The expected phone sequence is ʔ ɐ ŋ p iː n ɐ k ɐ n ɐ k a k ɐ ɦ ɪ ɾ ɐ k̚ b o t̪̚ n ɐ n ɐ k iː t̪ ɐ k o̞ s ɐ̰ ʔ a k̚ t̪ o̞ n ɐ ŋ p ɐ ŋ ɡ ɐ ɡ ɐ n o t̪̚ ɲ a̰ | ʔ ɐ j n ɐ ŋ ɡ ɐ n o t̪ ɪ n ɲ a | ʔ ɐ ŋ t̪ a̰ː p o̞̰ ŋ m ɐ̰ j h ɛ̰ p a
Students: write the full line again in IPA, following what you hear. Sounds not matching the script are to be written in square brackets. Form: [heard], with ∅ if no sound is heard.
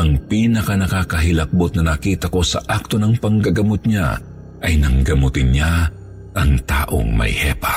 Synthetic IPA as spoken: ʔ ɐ ŋ p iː n ɐ k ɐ n ɐ k a k ɐ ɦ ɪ [l] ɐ k̚ b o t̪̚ n ɐ n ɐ k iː t̪ ɐ k o̞ s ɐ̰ ʔ a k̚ t̪ o̞ n ɐ ŋ p ɐ ŋ ɡ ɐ ɡ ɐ [m] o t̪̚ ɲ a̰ | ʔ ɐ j n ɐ ŋ ɡ ɐ [m] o t̪ ɪ n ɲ a | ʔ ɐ ŋ t̪ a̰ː [ʔ] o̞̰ ŋ m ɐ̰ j h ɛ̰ p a